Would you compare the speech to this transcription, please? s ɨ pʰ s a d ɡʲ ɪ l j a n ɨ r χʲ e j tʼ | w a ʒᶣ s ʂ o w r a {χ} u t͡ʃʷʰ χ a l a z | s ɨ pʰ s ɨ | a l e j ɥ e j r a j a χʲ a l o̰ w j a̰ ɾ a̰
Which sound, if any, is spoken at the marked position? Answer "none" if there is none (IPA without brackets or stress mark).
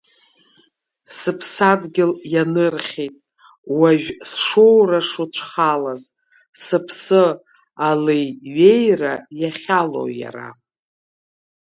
ʂ